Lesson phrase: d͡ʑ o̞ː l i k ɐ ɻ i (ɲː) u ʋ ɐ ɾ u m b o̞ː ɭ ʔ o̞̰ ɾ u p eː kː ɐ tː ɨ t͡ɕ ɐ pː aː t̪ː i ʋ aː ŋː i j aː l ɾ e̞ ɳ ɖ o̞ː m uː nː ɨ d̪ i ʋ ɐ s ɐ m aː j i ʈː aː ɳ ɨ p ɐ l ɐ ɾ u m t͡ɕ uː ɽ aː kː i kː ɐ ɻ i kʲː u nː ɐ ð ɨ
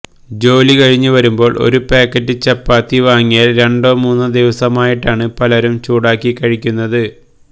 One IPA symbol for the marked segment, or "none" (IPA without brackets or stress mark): ɲː